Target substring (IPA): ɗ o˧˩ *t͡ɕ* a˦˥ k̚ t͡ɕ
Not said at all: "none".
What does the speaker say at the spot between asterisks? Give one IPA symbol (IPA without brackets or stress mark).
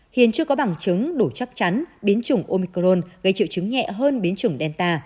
t͡ɕ